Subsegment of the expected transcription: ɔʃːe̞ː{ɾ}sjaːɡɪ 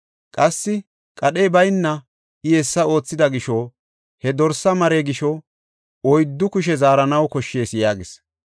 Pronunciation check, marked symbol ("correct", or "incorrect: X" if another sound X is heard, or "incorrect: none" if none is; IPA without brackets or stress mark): incorrect: none